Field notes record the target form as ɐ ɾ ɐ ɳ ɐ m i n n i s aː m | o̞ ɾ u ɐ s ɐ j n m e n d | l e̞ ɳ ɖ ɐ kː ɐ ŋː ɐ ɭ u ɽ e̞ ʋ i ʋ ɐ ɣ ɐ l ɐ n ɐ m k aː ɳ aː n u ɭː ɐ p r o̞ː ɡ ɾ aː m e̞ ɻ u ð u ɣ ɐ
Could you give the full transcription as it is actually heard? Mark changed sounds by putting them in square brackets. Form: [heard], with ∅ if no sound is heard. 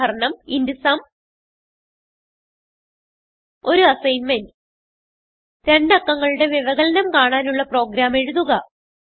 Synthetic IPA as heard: ɐ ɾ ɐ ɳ ɐ m i n [d] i s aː m | o̞ ɾ u ɐ s ɐ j n m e n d | [ɾ] e̞ ɳ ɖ ɐ kː ɐ ŋː ɐ ɭ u ɽ e̞ ʋ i ʋ ɐ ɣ ɐ l ɐ n ɐ m k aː ɳ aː n u ɭː ɐ p r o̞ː ɡ ɾ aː m e̞ ɻ u ð u ɣ ɐ